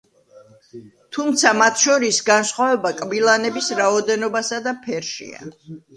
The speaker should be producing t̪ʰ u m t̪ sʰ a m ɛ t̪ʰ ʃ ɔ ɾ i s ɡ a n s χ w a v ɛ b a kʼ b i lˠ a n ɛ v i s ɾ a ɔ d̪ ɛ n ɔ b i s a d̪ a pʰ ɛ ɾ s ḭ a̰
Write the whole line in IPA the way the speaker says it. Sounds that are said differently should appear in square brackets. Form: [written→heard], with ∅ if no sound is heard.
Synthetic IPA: t̪ʰ u m t̪ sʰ a m [ɛ→a] t̪ʰ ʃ ɔ ɾ i s ɡ a n s χ w a v ɛ b a kʼ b i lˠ a n ɛ [v→b] i s ɾ a ɔ d̪ ɛ n ɔ b [i→a] s a d̪ a pʰ ɛ ɾ [s→ʃ] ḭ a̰